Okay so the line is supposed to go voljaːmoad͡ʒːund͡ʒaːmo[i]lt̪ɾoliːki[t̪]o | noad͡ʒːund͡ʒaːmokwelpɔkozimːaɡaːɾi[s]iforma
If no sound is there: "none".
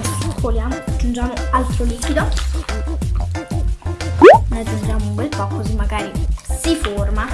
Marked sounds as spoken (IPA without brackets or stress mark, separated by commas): a, d̪, s